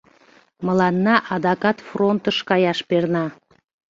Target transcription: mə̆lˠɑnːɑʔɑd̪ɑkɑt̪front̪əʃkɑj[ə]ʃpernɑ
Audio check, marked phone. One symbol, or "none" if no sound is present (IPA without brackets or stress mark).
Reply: ɑ